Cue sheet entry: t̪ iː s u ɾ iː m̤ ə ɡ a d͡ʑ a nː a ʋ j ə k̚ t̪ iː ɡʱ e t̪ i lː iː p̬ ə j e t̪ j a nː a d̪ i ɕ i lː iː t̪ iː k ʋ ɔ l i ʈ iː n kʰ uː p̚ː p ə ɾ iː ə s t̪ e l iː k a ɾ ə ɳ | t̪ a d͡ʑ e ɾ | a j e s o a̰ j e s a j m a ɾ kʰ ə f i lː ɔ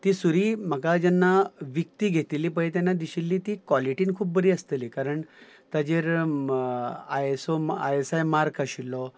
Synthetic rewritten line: t̪ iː s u ɾ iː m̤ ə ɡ a d͡ʑ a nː a ʋ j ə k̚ t̪ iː ɡʱ e t̪ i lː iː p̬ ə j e t̪ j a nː a d̪ i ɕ i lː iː t̪ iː k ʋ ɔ l i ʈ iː n kʰ uː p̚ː b ə ɾ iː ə s t̪ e l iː k a ɾ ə ɳ | t̪ a d͡ʑ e ɾ | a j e s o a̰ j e s a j m a ɾ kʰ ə ɕ i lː ɔ